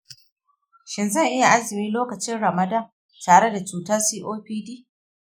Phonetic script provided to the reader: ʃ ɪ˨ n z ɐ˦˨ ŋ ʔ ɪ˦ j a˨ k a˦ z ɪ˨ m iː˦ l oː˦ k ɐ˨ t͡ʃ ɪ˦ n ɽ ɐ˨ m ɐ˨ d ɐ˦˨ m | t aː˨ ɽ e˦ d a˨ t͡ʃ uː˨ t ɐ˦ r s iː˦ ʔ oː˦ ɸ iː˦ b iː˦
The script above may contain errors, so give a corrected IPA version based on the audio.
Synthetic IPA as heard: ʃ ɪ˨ n z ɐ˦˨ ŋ ʔ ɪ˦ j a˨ ʔ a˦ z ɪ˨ m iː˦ l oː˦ k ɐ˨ t͡ʃ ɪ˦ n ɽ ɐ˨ m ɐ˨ d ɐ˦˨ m | t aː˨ ɽ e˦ d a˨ t͡ʃ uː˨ t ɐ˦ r s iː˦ ʔ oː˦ ɸ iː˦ d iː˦